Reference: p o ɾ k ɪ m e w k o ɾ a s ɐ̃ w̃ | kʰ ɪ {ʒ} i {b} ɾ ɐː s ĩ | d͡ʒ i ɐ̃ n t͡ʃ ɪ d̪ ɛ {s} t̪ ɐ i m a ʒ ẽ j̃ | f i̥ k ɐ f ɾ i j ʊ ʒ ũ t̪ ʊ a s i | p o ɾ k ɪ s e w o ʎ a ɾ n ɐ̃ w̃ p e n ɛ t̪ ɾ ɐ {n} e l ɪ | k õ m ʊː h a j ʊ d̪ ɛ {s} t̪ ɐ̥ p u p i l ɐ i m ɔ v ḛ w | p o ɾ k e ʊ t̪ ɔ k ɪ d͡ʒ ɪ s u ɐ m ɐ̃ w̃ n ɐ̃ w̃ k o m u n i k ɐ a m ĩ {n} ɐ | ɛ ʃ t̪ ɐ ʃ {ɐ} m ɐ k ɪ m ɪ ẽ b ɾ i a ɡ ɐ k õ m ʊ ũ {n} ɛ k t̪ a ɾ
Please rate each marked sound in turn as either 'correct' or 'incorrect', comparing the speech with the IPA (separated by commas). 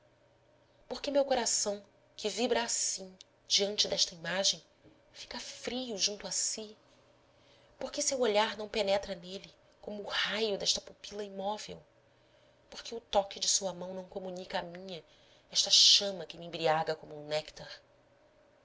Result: incorrect, correct, incorrect, correct, incorrect, incorrect, incorrect, correct